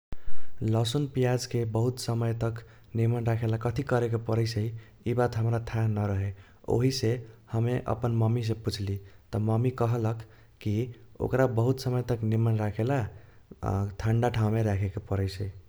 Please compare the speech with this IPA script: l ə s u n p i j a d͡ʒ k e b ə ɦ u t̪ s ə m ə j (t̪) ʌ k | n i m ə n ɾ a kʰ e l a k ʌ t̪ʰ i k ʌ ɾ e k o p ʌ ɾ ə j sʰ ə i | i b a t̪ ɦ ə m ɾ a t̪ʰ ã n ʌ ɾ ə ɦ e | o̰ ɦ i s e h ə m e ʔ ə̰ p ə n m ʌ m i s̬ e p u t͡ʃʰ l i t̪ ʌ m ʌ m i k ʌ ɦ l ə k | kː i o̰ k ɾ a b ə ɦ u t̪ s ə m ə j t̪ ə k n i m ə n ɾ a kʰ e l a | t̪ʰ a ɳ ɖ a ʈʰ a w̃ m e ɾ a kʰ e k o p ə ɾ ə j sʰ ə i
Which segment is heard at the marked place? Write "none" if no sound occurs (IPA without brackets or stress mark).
t̪